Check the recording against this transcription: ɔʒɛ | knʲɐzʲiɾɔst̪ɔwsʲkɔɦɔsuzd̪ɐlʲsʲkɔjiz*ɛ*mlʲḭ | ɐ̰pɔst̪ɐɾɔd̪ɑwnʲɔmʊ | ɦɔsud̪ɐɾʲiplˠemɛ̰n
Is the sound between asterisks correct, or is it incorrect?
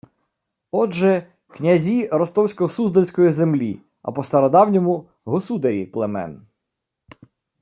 incorrect